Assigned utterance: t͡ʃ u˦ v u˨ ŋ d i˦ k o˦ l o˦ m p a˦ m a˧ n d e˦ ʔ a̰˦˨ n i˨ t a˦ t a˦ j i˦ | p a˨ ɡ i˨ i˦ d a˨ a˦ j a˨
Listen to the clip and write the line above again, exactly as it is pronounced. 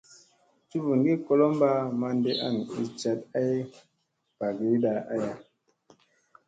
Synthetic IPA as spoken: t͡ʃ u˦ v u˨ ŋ ɡ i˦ k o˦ l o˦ m b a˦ m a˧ n d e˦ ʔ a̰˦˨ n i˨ t͡ʃ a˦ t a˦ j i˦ | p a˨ ɡ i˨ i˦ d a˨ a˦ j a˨